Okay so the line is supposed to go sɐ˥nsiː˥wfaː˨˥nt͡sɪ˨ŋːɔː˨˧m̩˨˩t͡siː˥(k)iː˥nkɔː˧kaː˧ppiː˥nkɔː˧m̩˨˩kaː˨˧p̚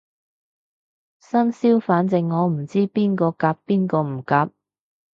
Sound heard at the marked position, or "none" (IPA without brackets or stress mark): p